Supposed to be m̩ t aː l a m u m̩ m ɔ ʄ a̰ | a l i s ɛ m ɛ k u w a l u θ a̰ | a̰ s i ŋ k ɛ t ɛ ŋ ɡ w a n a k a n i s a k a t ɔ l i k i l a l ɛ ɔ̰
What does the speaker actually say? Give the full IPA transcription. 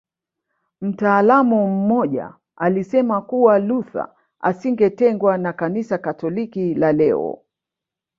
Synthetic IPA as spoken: m̩ t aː l a m u m̩ m ɔ ʄ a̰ | a l i s ɛ m a k u w a l u θ a̰ | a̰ s i ŋ ɡ ɛ t ɛ ŋ ɡ w a n a k a n i s a k a t ɔ l i k i l a l ɛ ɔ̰